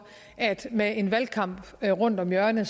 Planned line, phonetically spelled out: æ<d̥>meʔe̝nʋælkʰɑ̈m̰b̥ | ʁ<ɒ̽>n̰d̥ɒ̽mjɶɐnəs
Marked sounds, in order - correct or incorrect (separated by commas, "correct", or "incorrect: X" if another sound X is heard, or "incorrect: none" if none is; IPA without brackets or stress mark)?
correct, incorrect: ɔ̽